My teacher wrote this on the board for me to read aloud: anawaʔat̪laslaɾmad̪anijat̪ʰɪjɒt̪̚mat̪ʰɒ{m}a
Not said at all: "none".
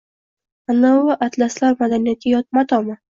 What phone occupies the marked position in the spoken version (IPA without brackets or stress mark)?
m